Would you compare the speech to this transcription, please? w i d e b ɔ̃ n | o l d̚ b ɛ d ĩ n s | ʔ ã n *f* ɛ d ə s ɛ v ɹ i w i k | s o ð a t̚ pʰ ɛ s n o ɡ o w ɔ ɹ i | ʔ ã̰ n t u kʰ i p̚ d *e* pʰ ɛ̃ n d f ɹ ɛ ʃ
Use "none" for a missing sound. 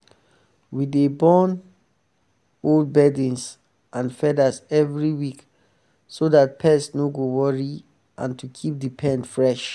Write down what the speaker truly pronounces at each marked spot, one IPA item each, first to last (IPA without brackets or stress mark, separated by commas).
f, i